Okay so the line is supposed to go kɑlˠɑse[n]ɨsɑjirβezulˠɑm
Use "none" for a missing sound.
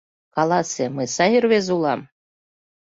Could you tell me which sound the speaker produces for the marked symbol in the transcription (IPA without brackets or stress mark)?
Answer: m